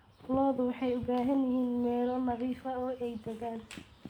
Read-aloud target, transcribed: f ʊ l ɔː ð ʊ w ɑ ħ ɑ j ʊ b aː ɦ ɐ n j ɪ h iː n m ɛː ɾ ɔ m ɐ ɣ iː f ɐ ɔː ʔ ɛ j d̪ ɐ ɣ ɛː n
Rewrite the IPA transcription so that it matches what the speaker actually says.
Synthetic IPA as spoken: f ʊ l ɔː ð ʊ w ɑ ħ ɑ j ʊ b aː ɦ ɐ n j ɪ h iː n m ɛː l ɔ n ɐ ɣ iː f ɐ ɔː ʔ ɛ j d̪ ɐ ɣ aː n

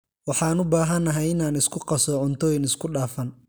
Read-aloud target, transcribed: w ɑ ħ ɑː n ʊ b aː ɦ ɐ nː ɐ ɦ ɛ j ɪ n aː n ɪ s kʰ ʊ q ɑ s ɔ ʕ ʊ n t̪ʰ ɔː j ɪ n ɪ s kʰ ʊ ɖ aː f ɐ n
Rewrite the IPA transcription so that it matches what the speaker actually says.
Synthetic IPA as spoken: w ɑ ħ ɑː n ʊ b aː ɦ ɐ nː ɐ ɦ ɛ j ɪ n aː n ɪ s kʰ ʊ q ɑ s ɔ ʕ ʊ n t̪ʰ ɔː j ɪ n ɪ s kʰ ʊ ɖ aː f ɐ n

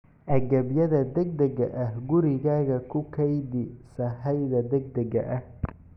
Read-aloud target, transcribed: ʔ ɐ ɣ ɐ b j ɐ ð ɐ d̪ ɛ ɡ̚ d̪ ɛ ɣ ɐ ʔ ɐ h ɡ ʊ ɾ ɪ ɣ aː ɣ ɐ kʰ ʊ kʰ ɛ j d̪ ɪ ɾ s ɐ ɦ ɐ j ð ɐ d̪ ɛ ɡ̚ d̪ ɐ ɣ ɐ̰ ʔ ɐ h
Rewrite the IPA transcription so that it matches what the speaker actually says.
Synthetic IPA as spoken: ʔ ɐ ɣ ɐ b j ɐ ð ɐ d̪ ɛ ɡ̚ d̪ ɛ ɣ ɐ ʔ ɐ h ɡ ʊ ɾ ɪ ɣ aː ɣ ɐ kʰ ʊ kʰ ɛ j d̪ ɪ s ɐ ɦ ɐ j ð ɐ d̪ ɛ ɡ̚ d̪ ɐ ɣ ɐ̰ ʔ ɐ h

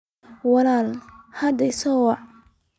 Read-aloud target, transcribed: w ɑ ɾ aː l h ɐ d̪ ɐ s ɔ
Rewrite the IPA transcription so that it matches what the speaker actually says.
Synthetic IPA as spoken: w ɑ l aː l h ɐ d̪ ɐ s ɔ

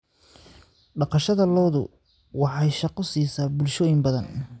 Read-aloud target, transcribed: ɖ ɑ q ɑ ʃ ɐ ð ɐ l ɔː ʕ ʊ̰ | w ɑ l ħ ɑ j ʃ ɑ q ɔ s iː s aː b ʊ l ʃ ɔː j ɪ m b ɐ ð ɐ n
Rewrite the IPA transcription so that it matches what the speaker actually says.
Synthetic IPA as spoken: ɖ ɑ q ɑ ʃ ɐ ð ɐ l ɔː ð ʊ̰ | w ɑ ħ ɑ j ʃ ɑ q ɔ s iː s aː b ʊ l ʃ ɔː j ɪ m b ɐ ð ɐ n

